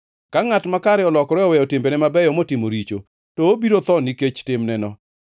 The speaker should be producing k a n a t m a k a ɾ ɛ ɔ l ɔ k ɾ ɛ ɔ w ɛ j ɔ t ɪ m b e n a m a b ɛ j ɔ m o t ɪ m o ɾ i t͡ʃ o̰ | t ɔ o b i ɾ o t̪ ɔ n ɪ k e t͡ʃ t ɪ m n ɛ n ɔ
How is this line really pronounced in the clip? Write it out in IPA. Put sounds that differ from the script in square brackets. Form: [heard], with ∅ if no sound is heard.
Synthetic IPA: k a [ŋ] a t m a k a ɾ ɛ ɔ l ɔ k ɾ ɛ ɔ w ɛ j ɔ t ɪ m b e n [ɛ] m a b ɛ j ɔ m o t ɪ m o ɾ i t͡ʃ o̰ | t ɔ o b i ɾ o t̪ ɔ n [i] k e t͡ʃ t ɪ m n ɛ n ɔ